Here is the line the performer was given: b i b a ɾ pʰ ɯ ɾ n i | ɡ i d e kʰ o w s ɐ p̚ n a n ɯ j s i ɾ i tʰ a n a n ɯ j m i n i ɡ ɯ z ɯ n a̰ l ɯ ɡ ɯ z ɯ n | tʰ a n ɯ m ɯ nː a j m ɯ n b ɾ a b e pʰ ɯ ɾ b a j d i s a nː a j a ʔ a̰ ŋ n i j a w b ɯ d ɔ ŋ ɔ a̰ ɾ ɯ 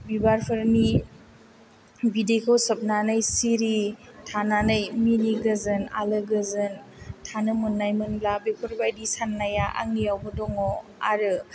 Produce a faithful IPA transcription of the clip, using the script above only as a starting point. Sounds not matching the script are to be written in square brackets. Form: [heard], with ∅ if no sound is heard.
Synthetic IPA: b i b a ɾ pʰ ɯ ɾ n i | [b] i d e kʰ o w s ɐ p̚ n a n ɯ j s i ɾ i tʰ a n a n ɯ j m i n i ɡ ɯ z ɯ n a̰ l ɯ ɡ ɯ z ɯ n | tʰ a n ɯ m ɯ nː a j m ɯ n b [l] a b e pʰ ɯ ɾ b a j d i s a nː a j a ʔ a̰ ŋ n i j a w b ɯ d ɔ ŋ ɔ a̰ ɾ ɯ